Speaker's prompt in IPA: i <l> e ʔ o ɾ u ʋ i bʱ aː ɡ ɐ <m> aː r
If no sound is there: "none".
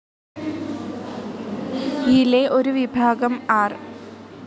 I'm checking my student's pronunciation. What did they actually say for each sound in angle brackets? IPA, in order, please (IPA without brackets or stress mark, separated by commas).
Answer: l, m